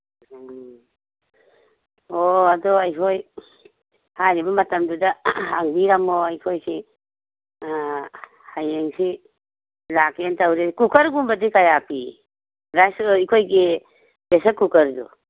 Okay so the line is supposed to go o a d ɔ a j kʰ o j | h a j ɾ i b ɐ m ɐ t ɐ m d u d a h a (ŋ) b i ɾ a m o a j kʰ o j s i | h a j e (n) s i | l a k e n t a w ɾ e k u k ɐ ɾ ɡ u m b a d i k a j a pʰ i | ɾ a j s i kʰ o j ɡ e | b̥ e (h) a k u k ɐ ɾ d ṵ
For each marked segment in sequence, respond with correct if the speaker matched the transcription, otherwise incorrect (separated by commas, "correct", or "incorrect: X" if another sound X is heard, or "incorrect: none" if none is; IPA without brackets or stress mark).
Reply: correct, incorrect: ŋ, incorrect: s